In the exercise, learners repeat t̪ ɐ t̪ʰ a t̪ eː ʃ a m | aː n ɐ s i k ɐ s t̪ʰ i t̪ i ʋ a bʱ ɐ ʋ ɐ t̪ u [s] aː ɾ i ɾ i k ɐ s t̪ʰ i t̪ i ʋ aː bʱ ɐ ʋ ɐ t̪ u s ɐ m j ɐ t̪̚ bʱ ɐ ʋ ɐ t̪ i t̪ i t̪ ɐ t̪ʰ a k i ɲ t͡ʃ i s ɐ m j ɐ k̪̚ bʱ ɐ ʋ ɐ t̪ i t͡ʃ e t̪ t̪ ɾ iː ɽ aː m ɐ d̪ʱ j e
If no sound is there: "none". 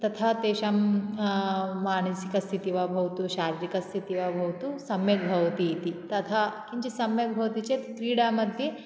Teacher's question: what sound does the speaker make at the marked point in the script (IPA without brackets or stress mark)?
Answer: ʃ